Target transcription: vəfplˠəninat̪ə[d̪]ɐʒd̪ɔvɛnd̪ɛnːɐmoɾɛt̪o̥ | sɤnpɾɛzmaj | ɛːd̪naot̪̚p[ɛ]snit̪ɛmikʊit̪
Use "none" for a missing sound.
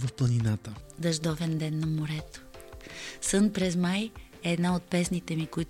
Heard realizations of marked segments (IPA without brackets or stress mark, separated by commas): d̪, ɛ